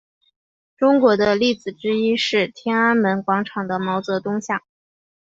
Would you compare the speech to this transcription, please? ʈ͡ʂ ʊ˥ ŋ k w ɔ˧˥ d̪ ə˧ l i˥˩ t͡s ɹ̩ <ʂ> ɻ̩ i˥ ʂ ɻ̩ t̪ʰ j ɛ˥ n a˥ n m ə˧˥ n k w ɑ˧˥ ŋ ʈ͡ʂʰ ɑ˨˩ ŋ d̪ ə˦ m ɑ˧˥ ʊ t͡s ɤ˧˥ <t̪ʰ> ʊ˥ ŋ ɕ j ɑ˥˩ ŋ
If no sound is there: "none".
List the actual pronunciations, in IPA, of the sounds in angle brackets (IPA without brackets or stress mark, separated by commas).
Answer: ʈ͡ʂ, t̪